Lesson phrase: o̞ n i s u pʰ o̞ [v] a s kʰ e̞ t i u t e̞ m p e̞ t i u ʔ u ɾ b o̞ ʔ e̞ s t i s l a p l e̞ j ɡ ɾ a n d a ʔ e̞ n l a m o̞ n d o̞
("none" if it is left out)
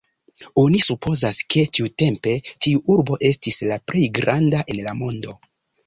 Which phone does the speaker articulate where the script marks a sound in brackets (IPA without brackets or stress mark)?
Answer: z